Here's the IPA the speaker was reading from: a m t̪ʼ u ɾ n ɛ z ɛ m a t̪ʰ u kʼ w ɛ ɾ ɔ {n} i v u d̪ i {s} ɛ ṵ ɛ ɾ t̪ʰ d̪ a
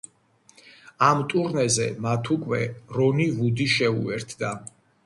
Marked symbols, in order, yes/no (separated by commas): yes, no